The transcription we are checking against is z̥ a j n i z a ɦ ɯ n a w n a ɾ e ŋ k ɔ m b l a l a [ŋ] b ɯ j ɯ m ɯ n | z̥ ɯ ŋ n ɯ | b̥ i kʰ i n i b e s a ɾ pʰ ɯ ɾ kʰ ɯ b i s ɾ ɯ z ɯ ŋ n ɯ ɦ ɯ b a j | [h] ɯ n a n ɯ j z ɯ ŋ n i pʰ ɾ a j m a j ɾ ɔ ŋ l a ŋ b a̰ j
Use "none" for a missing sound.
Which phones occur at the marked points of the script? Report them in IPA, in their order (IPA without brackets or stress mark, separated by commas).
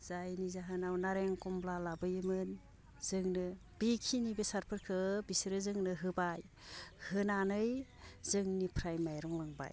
none, h